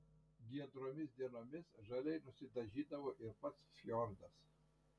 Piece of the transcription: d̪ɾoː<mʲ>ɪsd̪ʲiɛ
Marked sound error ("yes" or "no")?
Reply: no